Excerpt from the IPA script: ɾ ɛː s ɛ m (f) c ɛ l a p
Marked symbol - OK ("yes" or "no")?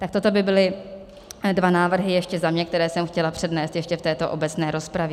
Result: no